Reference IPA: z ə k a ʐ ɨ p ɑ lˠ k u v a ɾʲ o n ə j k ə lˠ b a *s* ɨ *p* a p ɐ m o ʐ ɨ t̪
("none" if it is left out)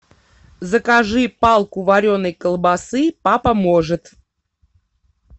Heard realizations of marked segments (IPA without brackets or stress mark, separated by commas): s, p